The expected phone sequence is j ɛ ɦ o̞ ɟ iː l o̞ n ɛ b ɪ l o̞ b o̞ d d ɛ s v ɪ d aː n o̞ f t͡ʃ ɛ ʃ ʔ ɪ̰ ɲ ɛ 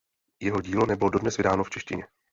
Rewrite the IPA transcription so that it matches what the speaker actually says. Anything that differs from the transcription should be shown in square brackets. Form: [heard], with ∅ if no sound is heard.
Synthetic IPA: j ɛ ɦ o̞ ɟ iː l o̞ n ɛ b ɪ l o̞ [d] o̞ d [n] ɛ s v ɪ d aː n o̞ f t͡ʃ ɛ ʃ [c] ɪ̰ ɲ ɛ